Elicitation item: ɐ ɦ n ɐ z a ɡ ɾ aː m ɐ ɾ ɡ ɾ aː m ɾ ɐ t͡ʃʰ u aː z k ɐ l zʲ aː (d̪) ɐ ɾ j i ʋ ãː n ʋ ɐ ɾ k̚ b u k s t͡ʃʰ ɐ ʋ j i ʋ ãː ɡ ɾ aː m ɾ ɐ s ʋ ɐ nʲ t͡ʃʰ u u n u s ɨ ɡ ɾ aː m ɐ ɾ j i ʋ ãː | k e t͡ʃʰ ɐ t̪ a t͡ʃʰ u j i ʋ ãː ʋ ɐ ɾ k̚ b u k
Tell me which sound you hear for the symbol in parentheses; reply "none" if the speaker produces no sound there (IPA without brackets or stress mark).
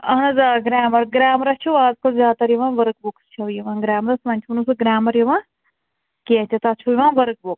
t̪